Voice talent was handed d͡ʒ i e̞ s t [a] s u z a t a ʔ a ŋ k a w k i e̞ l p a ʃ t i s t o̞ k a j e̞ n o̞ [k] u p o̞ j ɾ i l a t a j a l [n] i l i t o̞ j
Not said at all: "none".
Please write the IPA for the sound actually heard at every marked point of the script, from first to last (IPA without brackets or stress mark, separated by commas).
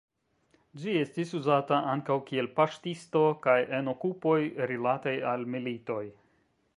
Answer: i, k, m